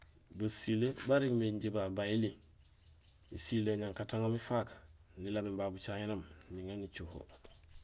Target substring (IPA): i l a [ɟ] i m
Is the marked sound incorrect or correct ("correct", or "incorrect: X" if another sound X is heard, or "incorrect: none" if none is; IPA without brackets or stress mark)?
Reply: incorrect: b